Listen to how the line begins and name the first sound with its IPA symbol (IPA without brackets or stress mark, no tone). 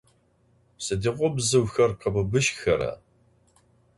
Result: s